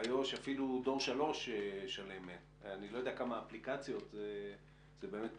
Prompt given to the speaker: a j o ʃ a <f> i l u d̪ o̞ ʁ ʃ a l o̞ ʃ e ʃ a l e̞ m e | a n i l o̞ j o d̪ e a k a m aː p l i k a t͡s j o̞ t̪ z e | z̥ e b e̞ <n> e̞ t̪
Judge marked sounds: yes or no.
yes, no

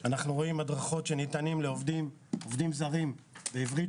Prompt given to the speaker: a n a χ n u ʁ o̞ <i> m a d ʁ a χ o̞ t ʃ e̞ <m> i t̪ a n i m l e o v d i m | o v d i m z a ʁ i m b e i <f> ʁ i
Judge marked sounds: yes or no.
yes, no, no

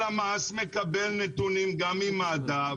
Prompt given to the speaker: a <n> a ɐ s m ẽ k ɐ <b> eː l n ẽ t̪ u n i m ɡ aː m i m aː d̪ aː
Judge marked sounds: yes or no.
no, yes

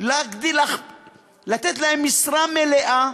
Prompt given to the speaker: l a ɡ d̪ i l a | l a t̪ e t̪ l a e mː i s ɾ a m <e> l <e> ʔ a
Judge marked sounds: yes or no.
yes, yes

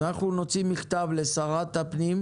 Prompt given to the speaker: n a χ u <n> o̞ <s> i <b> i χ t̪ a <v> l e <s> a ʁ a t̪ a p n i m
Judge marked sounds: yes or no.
yes, no, no, yes, yes

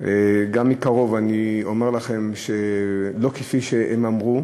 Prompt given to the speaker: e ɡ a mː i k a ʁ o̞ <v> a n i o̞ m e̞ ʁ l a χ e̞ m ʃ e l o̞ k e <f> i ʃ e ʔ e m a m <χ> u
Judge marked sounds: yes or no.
yes, yes, no

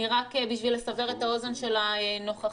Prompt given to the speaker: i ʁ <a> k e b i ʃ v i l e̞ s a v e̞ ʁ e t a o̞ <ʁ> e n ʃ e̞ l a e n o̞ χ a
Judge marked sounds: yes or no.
yes, no

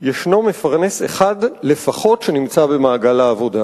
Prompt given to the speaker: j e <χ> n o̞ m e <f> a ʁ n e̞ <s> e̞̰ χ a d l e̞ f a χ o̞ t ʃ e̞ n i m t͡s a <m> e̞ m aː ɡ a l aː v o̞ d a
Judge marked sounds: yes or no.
no, yes, yes, no

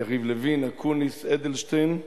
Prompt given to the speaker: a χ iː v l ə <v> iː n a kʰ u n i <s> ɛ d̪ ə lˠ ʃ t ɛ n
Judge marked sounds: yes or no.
yes, yes

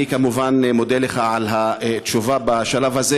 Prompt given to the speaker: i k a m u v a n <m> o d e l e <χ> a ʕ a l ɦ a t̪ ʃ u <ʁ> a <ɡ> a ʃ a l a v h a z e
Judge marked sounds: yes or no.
yes, yes, no, no

